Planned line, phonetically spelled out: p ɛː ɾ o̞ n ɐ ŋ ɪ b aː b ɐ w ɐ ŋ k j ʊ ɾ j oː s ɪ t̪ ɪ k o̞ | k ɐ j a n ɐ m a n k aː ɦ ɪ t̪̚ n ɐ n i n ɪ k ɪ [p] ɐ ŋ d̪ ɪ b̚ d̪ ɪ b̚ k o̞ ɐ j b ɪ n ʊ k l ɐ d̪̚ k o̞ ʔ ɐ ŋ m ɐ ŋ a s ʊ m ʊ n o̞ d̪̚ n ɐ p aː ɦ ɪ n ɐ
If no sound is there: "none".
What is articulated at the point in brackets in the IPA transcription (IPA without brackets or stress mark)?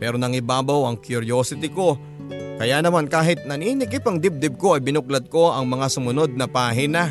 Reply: p